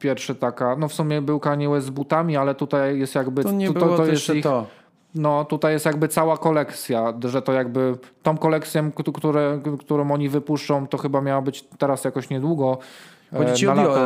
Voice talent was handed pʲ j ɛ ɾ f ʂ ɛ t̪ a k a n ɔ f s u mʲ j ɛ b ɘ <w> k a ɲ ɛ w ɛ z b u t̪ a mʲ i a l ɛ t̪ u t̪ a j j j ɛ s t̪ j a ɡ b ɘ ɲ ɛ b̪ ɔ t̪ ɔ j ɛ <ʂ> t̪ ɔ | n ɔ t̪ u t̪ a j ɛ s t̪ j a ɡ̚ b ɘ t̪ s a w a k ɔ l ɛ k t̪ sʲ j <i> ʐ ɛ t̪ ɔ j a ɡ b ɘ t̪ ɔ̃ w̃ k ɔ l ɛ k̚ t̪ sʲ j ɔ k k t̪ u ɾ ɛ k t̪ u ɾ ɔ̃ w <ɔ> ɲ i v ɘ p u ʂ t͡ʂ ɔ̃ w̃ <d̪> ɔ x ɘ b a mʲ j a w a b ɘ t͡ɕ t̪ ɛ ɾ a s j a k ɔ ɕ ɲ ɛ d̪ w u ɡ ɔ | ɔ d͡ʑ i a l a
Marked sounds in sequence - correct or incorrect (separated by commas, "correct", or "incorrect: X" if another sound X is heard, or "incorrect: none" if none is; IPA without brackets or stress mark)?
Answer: correct, incorrect: s, incorrect: a, correct, incorrect: t̪